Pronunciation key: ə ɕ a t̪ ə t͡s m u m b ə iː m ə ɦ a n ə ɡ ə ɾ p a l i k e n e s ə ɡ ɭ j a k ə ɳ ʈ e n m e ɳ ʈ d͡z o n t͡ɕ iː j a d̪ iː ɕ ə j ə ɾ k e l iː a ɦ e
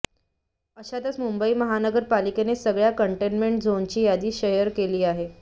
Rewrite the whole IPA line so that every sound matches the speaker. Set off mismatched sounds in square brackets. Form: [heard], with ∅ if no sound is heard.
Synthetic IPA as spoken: ə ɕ a t̪ ə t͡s m u m b ə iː m ə ɦ a n ə ɡ ə ɾ p a l i k e n e s ə ɡ ɭ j a k ə ɳ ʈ e n m e ɳ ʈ d͡z o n t͡ɕ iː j a d̪ iː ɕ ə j ə ɾ k e l iː a ɦ e